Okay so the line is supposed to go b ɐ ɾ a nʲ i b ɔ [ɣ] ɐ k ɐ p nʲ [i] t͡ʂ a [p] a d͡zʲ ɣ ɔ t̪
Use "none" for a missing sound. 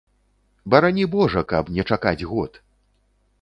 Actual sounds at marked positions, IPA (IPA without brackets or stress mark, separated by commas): ʐ, ɛ, k